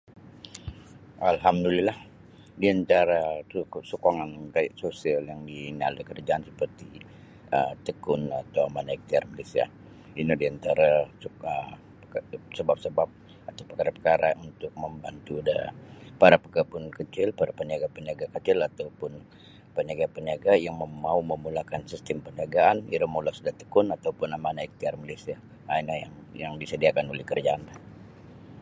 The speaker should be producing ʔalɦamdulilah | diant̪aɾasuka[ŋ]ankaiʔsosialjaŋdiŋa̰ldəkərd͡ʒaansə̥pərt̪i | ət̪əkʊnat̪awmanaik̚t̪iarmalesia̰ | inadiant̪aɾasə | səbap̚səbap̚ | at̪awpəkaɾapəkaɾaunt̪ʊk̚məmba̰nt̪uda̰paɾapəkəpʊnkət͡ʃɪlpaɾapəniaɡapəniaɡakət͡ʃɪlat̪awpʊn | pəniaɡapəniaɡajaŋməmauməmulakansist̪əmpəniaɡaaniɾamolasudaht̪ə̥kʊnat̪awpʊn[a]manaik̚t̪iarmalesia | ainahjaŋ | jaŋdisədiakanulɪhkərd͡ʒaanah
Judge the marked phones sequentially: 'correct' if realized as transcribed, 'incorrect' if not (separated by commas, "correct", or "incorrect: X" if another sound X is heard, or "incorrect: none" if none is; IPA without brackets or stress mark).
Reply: correct, correct